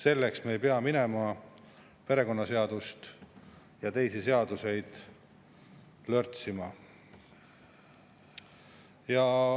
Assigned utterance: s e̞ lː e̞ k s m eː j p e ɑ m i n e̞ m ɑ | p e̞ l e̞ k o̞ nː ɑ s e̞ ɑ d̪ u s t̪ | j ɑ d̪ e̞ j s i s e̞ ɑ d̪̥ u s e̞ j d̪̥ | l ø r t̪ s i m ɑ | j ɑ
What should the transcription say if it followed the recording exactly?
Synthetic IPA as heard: s e̞ lː e̞ k s m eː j p e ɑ m i n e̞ m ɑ | p e̞ ɾ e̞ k o̞ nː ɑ s e̞ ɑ d̪ u s t̪ | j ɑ t̪ e̞ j s i s e̞ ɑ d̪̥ u s e̞ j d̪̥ | l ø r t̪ s i m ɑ | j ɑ